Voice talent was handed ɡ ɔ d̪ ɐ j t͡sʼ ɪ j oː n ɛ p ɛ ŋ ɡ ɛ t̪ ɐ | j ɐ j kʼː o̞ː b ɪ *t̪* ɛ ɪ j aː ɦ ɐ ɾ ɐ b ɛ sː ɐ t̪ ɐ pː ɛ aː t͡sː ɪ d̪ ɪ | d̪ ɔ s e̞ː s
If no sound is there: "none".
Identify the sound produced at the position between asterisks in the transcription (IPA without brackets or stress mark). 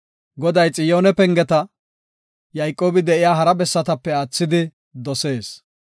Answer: d̪